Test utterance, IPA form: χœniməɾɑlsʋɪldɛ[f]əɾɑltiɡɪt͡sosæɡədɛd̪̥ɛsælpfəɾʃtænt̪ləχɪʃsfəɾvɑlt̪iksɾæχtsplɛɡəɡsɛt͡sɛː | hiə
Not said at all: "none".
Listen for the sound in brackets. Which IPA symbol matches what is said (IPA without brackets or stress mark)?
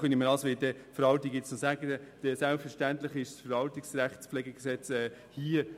f